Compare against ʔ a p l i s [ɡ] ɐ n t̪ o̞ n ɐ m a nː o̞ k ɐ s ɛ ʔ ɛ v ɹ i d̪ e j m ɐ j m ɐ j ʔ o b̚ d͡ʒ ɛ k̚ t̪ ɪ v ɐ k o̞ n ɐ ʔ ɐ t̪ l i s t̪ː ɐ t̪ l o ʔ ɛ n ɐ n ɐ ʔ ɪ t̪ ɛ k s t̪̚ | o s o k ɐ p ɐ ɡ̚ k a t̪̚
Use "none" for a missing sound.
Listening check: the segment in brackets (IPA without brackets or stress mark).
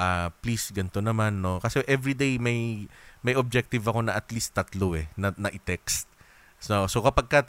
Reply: ɡ